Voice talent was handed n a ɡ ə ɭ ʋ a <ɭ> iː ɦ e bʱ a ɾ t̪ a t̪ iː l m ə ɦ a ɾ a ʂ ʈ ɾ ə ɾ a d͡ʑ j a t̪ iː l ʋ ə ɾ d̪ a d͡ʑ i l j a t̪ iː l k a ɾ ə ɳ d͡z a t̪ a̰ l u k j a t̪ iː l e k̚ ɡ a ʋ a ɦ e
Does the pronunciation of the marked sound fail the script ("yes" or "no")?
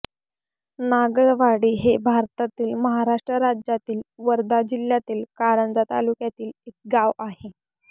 yes